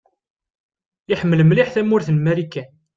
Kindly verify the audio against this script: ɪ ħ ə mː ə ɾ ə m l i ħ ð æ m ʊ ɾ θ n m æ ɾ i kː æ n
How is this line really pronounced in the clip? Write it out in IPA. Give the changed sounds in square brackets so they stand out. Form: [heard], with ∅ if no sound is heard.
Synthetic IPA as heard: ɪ ħ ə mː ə [l] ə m l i ħ [θ] æ m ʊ ɾ θ n m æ ɾ i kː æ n

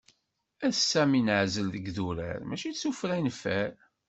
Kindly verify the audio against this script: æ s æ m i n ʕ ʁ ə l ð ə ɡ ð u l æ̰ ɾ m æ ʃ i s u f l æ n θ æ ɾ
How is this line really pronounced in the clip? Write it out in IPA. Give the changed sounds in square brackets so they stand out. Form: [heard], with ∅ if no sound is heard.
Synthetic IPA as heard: æ s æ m i n ʕ [z] ə l ð ə ɡ ð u [ɾ] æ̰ ɾ m æ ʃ i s u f [ɾ] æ n [f] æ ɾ

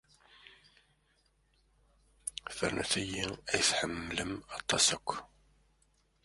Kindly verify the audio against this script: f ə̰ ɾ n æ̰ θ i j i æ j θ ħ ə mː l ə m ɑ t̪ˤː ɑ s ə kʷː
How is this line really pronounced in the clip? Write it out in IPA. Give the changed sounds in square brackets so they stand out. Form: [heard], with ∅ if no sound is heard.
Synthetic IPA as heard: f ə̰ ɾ n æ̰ θ [æ] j i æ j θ ħ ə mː l ə m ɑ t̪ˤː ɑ s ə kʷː

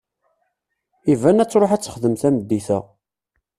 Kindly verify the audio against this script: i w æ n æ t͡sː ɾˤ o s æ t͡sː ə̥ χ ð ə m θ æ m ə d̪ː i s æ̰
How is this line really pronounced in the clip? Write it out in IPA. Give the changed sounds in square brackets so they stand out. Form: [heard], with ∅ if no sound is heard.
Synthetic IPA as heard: i [v] æ n æ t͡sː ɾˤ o [ħ] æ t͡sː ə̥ χ ð ə m θ æ m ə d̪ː i [θ] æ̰

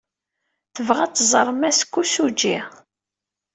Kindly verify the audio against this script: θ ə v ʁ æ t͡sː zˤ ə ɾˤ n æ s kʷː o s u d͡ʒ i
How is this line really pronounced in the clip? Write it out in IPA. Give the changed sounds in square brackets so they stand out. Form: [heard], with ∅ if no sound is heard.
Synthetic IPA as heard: θ ə v ʁ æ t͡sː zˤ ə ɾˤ [m] æ s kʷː [u] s u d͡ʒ i

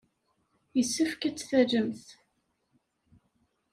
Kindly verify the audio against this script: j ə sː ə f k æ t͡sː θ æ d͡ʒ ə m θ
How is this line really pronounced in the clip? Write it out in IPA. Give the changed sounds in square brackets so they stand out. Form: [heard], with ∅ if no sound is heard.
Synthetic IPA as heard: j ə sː ə f k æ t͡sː θ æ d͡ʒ ə m θ

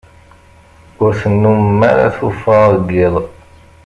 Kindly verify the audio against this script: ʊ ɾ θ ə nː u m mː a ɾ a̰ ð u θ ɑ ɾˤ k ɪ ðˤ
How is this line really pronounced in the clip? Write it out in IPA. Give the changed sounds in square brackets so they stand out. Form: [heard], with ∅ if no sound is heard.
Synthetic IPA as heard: ʊ ɾ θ ə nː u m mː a ɾ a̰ [θ] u [f] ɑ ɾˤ [ɡ] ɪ ðˤ

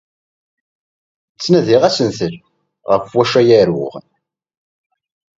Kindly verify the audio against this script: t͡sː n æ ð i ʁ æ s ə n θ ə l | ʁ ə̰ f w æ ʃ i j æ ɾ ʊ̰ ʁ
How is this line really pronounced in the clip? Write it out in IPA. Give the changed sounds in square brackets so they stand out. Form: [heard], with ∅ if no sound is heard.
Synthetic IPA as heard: t͡sː n æ ð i ʁ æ s ə n θ ə l | ʁ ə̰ f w æ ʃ [æ] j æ ɾ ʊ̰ ʁ

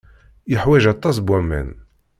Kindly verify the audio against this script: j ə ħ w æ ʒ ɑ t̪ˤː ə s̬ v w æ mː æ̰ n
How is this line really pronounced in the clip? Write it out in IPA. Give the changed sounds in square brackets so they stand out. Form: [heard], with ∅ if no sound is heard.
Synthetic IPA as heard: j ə ħ w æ ʒ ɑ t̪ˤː [ɑ] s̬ [b] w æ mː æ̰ n

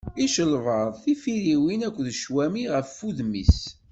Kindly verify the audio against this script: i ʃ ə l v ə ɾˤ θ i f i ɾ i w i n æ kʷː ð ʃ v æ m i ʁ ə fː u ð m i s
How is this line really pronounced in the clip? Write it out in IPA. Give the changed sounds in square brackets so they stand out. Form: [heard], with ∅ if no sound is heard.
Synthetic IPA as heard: i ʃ ə l v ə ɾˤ θ i f i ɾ i w i n æ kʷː ð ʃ [w] æ m i ʁ ə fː u ð m i s

